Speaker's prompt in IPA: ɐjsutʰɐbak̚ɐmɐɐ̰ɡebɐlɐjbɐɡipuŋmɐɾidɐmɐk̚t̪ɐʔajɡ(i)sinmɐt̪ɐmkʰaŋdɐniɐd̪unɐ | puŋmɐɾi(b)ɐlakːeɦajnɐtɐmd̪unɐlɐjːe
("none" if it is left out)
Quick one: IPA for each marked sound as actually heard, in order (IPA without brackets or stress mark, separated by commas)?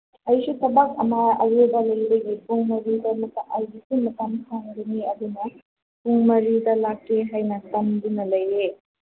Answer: i, d